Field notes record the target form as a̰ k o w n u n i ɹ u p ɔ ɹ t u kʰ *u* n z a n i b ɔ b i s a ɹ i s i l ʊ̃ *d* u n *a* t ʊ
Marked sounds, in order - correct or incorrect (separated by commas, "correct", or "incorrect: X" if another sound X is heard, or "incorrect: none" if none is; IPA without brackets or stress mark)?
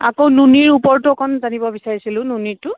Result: incorrect: ɔ, incorrect: n, incorrect: i